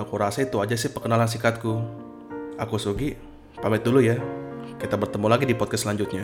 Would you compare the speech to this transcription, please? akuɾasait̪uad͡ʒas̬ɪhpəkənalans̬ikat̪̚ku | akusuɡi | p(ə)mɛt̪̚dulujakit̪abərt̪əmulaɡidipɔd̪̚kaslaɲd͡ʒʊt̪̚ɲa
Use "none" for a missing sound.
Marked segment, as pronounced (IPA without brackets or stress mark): a